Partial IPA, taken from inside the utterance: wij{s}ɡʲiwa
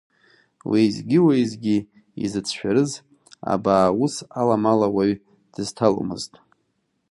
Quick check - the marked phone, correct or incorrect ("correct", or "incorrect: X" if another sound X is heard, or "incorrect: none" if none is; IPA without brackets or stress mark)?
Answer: incorrect: z